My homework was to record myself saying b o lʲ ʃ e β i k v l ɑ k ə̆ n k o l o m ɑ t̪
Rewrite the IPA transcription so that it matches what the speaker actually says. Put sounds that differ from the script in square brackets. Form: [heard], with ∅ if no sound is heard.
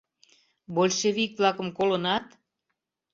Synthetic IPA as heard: b o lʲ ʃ e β i k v l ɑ k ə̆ [m] k o l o [n] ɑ t̪